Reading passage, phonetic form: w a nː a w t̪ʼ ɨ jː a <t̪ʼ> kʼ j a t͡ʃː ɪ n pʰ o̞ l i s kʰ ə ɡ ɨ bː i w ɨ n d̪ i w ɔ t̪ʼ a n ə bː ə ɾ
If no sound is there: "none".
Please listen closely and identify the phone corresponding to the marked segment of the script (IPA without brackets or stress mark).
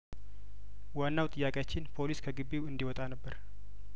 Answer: none